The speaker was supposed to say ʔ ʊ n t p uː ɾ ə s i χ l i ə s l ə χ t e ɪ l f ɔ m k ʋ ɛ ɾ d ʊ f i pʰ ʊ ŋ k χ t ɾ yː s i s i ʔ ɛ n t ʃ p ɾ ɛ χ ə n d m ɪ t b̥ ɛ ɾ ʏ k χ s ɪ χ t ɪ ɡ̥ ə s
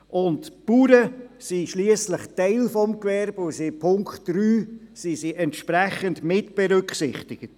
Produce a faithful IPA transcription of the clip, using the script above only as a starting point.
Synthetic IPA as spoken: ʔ ʊ n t p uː ɾ ə s i ʃ l i ə s l ə χ t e ɪ l f ɔ m k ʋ ɛ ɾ b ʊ s i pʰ ʊ ŋ k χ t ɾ yː s i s i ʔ ɛ n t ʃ p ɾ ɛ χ ə n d m ɪ t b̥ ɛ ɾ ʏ k χ s ɪ χ t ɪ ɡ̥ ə t